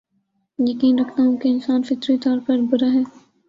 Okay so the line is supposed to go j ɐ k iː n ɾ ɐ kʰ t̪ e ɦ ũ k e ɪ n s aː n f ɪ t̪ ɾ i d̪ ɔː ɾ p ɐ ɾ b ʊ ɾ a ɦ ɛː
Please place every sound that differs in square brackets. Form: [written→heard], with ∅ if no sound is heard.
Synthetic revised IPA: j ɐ k iː n ɾ ɐ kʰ t̪ [e→a] ɦ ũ k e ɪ n s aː n f ɪ t̪ ɾ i [d̪→t̪] ɔː ɾ p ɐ ɾ b ʊ ɾ a ɦ ɛː